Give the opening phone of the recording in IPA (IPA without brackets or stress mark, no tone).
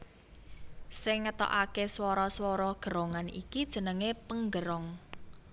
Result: s